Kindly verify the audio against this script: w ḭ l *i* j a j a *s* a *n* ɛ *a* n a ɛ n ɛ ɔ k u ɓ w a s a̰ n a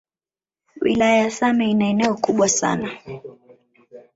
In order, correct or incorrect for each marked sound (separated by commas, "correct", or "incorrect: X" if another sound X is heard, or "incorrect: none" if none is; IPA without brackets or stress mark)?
incorrect: a, correct, incorrect: m, incorrect: i